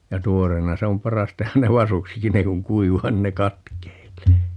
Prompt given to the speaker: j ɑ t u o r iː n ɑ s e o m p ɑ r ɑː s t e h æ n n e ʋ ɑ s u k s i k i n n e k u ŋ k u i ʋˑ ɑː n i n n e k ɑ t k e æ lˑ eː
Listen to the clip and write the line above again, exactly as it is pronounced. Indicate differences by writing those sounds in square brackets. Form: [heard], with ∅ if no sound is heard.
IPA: j ɑ t u o r [eː] n ɑ s e o m p ɑ r [ɑ] s t e h æ n n e ʋ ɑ s u k s i k i n n e k u ŋ k u i ʋˑ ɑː n i n n e k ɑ t k e [i] lˑ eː